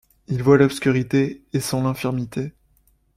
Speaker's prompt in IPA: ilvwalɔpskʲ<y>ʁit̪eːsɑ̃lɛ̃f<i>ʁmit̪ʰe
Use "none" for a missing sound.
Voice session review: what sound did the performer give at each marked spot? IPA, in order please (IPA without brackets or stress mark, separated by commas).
y, i